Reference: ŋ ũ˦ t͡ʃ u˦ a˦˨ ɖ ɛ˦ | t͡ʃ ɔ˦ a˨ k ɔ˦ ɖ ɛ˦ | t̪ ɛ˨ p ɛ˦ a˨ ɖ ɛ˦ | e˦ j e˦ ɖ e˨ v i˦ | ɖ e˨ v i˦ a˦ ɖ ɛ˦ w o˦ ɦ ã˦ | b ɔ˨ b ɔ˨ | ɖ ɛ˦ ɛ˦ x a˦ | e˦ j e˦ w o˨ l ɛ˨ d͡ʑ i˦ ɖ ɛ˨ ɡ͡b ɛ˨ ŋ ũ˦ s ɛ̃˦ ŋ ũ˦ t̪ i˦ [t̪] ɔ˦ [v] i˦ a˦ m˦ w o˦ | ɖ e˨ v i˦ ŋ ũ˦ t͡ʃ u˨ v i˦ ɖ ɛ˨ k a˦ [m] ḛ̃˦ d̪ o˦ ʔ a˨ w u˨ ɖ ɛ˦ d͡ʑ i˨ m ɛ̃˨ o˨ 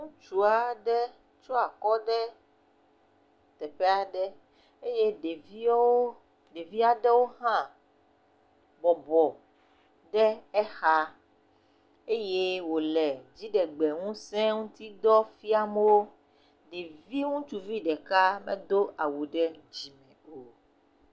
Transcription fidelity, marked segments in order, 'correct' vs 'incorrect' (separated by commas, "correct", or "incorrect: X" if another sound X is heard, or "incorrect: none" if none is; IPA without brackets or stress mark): incorrect: d̪, incorrect: f, correct